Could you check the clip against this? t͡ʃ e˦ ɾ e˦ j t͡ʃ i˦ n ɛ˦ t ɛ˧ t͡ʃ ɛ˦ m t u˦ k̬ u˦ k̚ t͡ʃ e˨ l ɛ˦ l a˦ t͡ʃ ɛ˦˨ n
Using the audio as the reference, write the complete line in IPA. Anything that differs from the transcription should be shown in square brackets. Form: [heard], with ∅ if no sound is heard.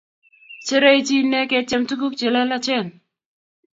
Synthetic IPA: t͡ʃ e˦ ɾ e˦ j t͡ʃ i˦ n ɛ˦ [k] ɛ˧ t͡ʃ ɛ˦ m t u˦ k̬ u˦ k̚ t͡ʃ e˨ l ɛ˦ l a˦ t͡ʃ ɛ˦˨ n